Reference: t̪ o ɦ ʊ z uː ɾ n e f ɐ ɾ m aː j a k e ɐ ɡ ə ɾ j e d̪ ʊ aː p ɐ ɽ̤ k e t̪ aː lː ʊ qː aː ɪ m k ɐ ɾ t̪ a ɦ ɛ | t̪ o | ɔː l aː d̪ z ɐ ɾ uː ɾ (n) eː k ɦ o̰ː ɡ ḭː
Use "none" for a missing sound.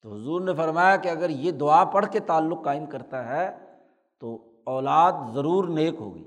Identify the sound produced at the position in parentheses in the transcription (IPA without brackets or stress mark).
n